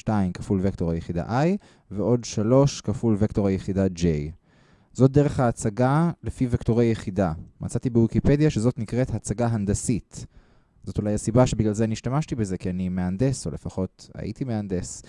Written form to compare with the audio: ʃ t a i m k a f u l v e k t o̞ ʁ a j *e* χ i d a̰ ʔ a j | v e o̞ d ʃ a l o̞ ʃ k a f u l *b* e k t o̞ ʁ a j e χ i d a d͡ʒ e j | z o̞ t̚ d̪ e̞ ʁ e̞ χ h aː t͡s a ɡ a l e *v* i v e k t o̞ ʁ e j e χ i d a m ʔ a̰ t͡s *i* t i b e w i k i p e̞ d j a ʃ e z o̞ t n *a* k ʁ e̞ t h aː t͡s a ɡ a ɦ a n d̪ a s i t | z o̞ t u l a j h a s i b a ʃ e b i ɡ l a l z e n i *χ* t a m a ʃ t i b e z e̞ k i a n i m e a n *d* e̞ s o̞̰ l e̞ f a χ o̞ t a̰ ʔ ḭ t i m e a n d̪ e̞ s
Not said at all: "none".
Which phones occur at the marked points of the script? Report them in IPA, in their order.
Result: e, v, f, a, i, ʃ, d

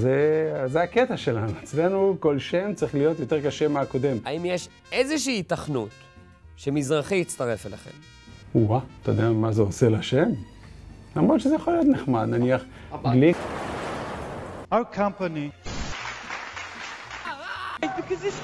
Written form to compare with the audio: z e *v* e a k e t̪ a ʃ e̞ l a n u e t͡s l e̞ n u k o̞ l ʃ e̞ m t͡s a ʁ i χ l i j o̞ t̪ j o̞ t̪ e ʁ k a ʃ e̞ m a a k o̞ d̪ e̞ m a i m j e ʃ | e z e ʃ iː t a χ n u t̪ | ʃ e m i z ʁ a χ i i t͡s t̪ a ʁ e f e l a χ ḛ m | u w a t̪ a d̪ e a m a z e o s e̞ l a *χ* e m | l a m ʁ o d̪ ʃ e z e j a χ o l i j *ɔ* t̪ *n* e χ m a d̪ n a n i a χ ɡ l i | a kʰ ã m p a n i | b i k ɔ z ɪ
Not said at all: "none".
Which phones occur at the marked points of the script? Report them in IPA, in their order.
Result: z, ʃ, o, n

